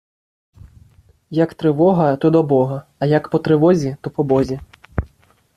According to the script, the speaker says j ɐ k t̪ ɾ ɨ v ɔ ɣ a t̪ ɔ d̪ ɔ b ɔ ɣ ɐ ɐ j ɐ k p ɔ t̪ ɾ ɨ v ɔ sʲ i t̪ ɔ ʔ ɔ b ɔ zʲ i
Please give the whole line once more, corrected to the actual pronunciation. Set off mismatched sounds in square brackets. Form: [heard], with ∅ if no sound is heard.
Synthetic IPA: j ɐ k t̪ ɾ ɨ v ɔ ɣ [ɐ] t̪ ɔ d̪ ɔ b ɔ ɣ ɐ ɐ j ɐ k p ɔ t̪ ɾ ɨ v ɔ [zʲ] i t̪ ɔ [p] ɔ b ɔ zʲ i